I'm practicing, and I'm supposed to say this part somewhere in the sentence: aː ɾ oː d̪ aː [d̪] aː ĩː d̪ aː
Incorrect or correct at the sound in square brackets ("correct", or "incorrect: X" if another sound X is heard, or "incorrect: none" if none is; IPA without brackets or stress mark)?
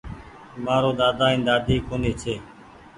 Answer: correct